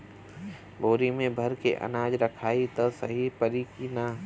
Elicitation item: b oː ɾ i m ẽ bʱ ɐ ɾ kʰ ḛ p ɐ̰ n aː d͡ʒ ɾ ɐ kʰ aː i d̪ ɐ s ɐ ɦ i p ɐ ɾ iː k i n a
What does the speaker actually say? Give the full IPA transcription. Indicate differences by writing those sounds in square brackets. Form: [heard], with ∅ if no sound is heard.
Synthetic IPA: b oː ɾ i m ẽ bʱ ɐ ɾ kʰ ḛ [ʔ] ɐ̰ n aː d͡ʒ ɾ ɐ kʰ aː i [t̪] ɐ s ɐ ɦ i p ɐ ɾ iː k i n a

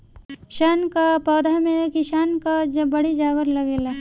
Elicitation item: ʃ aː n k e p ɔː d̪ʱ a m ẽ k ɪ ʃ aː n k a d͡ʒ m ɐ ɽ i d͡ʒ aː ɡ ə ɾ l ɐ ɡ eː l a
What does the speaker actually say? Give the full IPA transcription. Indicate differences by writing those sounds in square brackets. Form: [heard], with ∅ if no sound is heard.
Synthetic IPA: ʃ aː n k [a] p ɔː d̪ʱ a m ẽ k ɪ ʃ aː n k a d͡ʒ [b] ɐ ɽ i d͡ʒ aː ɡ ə ɾ l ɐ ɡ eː l a

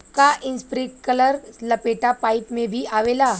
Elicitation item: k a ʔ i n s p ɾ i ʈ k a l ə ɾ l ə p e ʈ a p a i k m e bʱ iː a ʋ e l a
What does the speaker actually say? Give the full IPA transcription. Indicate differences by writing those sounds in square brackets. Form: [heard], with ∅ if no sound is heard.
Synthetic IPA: k a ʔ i n s p ɾ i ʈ k [ə] l ə ɾ l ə p e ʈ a p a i [p] m e bʱ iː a ʋ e l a

